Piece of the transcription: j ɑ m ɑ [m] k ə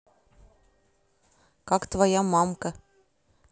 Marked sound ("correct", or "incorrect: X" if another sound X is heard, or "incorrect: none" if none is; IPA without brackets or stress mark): correct